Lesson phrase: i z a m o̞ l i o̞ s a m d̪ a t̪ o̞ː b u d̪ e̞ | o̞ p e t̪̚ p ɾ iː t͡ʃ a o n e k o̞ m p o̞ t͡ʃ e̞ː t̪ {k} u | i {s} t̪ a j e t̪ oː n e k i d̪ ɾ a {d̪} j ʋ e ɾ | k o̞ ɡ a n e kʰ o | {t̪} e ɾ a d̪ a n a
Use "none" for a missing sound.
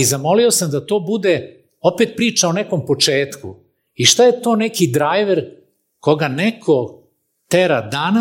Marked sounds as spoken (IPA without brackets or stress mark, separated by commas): k, ʃ, none, t̪